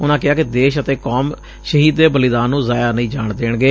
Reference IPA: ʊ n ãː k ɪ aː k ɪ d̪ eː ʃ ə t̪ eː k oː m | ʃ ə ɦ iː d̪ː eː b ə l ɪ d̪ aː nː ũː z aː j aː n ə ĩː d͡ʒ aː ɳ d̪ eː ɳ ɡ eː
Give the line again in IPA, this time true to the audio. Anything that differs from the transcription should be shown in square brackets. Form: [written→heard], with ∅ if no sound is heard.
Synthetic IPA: ʊ n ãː k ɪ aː k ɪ d̪ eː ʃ ə t̪ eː k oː m | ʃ ə ɦ iː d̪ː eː b ə l ɪ d̪ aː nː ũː z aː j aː n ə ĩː d͡ʒ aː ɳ d̪ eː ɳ ɡ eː

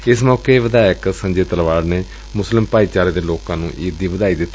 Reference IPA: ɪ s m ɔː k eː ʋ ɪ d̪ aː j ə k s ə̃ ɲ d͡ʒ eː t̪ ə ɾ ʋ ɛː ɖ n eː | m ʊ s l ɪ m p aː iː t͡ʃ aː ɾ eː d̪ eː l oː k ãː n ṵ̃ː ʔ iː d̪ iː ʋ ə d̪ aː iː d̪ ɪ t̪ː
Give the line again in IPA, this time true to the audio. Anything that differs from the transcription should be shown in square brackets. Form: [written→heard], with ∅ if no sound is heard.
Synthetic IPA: ɪ s m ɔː k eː ʋ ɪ d̪ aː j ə k s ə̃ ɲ d͡ʒ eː t̪ ə [ɾ→l] ʋ [ɛː→aː] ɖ n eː | m ʊ s l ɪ m p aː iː t͡ʃ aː ɾ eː d̪ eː l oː k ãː n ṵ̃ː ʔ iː d̪ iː ʋ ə d̪ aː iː d̪ ɪ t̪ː

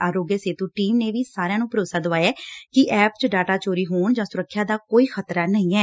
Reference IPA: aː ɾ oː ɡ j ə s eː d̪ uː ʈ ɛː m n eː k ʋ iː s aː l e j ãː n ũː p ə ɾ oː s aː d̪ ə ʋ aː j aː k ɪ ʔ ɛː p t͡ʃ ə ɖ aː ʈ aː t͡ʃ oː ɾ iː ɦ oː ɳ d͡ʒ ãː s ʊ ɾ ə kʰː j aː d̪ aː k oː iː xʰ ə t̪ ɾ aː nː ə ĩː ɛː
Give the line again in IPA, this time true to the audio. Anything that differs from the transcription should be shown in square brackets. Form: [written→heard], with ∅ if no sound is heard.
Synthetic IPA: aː ɾ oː ɡ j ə s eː [d̪→t̪] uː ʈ [ɛː→iː] m n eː [k→∅] ʋ iː s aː [l→ɾ] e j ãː n ũː p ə ɾ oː s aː d̪ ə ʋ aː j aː k ɪ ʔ ɛː p t͡ʃ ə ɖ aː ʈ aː t͡ʃ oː ɾ iː ɦ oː ɳ d͡ʒ ãː s ʊ ɾ ə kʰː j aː d̪ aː k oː iː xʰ ə t̪ ɾ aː [nː→n] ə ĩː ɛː

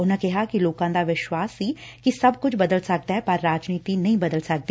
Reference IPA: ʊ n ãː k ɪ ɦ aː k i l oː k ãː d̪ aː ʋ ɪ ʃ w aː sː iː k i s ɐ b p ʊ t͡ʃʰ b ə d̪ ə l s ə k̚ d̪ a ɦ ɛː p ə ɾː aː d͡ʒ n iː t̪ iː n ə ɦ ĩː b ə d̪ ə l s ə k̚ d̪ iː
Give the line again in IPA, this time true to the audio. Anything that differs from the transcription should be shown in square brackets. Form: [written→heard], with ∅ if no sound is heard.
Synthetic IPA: ʊ n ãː k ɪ ɦ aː k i l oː k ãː d̪ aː ʋ ɪ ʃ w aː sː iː k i s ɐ b [p→k] ʊ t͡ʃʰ b ə d̪ ə l s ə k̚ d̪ a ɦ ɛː p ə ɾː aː d͡ʒ n iː t̪ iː n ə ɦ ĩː b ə d̪ ə l s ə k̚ d̪ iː

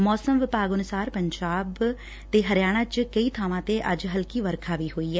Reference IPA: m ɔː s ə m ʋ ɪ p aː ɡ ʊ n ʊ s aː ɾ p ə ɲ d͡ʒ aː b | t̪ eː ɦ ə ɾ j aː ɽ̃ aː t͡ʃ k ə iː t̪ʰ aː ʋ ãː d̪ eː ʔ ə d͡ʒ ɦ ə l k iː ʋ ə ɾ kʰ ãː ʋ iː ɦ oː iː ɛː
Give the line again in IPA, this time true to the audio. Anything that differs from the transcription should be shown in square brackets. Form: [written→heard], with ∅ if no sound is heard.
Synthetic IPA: m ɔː s ə m ʋ ɪ p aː ɡ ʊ n ʊ s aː ɾ p ə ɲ d͡ʒ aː b | t̪ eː ɦ ə ɾ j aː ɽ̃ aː t͡ʃ k ə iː t̪ʰ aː ʋ ãː [d̪→t̪] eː ʔ ə d͡ʒ ɦ ə l k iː ʋ ə ɾ kʰ [ãː→aː] ʋ iː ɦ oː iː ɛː

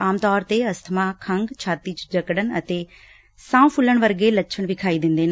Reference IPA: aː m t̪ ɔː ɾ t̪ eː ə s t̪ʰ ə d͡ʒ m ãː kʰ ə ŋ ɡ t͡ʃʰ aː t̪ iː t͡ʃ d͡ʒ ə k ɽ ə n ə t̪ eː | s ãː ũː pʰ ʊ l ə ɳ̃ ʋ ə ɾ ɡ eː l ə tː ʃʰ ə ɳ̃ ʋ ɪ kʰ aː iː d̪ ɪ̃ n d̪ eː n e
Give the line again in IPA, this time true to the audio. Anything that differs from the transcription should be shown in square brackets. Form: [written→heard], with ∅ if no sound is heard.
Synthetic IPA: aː m t̪ ɔː ɾ t̪ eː ə s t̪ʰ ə [d͡ʒ→∅] m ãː kʰ ə ŋ ɡ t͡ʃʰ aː t̪ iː t͡ʃ d͡ʒ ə k ɽ ə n ə t̪ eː | s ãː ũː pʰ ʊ l ə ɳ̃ ʋ ə ɾ ɡ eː l ə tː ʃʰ ə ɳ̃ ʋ ɪ kʰ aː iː d̪ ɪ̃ n d̪ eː n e

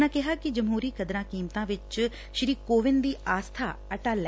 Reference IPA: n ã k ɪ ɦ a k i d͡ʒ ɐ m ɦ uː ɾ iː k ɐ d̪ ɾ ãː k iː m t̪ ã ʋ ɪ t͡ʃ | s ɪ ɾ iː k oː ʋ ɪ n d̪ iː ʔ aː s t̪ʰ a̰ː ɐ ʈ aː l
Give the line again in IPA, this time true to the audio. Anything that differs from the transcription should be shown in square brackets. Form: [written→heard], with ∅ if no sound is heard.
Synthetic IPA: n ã k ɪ ɦ a k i d͡ʒ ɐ m ɦ uː ɾ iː k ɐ d̪ ɾ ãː k iː m t̪ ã ʋ ɪ t͡ʃ | [s→ʃ] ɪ ɾ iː k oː ʋ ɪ n d̪ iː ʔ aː s t̪ʰ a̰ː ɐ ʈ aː l

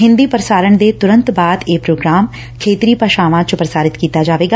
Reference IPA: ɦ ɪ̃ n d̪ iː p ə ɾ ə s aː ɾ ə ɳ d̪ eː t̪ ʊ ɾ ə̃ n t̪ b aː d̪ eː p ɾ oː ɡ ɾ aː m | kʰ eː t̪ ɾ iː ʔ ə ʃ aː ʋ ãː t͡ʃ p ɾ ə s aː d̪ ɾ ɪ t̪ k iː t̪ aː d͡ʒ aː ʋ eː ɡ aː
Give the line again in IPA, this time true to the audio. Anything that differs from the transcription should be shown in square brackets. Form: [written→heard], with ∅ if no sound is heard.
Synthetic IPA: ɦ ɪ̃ n d̪ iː p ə ɾ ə s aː ɾ ə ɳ d̪ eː t̪ ʊ ɾ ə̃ n t̪ b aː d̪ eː p ɾ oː ɡ ɾ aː m | kʰ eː t̪ ɾ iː [ʔ→p] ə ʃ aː ʋ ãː t͡ʃ p ɾ ə s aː [d̪→∅] ɾ ɪ t̪ k iː t̪ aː d͡ʒ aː ʋ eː ɡ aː

